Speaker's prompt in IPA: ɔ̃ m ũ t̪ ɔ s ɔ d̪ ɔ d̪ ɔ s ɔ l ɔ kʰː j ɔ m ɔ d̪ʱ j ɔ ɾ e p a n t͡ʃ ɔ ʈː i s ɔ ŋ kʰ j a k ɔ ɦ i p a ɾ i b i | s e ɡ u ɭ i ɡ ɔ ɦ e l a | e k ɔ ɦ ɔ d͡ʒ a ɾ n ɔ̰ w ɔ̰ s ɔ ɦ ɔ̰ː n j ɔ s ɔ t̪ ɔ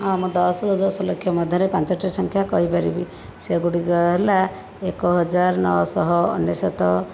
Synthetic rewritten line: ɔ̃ m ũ d̪ ɔ s ɔ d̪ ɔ d̪ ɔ s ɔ l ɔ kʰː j ɔ m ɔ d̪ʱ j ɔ ɾ e p a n t͡ʃ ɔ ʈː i s ɔ ŋ kʰ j a k ɔ ɦ i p a ɾ i b i | s e ɡ u ɽ i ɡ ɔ ɦ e l a | e k ɔ ɦ ɔ d͡ʒ a ɾ n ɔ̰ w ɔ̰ s ɔ ɦ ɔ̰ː n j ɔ s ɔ t̪ ɔ

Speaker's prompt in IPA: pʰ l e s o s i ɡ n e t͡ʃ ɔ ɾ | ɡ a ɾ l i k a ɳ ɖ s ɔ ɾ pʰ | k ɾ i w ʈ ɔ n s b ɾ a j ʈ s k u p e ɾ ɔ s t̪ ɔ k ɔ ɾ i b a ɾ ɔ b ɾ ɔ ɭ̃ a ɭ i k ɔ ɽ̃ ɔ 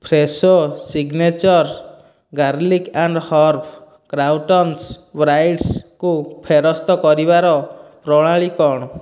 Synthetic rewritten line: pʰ ɾ e s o s i ɡ n e t͡ʃ ɔ ɾ | ɡ a ɾ l i k a ɳ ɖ h ɔ ɾ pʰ | k ɾ a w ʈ ɔ n s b ɾ a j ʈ s k u pʰ e ɾ ɔ s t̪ ɔ k ɔ ɾ i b a ɾ ɔ p ɾ ɔ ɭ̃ a ɭ i k ɔ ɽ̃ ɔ

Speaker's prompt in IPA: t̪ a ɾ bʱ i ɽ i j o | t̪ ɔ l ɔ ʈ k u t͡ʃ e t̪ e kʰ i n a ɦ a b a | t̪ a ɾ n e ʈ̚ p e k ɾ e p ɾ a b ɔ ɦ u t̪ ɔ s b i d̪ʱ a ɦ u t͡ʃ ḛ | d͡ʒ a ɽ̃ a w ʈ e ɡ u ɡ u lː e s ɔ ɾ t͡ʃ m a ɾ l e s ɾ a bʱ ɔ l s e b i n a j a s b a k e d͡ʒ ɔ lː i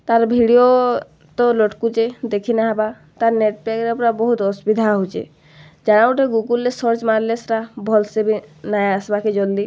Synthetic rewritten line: t̪ a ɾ bʱ i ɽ i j o | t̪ ɔ l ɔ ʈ k u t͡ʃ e d̪ e kʰ i n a ɦ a b a | t̪ a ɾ n e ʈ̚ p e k ɾ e p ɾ a b ɔ ɦ u t̪ ɔ s b i d̪ʱ a ɦ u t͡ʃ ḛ | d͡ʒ a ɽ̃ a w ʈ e ɡ u ɡ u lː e s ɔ ɾ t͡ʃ m a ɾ l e s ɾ a bʱ ɔ l s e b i n a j a s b a k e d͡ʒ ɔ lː i

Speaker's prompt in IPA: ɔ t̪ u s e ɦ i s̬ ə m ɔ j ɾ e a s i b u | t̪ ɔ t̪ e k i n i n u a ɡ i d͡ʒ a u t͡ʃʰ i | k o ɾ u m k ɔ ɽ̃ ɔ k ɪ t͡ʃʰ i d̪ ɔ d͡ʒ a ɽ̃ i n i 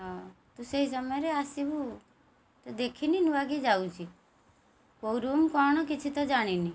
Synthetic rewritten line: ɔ t̪ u s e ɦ i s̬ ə m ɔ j ɾ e a s i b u | t̪ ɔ d̪ e kʰ i n i n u a ɡ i d͡ʒ a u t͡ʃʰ i | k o ɾ u m k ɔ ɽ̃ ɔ k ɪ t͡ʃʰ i t̪ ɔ d͡ʒ a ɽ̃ i n i

